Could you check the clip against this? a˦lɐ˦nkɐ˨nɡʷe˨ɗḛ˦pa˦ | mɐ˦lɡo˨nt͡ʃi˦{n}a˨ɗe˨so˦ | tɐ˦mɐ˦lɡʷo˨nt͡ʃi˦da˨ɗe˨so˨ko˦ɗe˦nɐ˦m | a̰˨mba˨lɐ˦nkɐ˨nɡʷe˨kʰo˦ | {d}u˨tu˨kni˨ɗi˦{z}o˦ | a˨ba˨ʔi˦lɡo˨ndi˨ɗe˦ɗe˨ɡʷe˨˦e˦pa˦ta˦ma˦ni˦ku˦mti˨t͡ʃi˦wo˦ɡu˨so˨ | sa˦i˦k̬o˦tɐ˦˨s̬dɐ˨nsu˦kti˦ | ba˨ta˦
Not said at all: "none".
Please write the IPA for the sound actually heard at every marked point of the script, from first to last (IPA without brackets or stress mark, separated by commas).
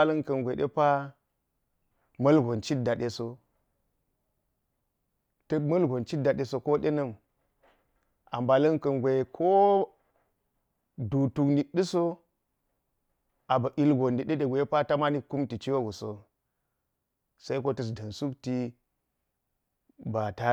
d, d, s